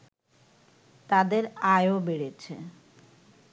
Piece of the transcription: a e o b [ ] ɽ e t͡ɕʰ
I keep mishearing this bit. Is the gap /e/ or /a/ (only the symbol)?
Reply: e